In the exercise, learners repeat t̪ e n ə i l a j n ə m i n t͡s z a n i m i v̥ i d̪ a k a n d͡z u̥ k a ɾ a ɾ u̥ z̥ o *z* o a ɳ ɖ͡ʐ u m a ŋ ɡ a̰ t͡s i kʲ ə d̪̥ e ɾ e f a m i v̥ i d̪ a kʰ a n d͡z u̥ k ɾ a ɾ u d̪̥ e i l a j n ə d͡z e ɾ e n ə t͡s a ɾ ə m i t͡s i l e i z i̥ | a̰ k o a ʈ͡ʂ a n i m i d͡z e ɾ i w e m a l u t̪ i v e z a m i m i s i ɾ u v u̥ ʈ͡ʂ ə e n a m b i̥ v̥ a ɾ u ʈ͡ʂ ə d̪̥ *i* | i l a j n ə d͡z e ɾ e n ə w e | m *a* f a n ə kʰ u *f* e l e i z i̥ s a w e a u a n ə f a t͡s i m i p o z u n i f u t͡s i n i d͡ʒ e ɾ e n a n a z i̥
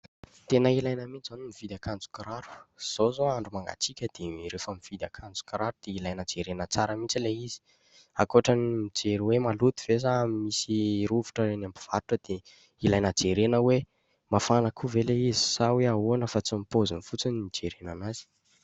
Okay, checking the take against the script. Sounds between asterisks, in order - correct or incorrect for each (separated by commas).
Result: correct, incorrect, correct, incorrect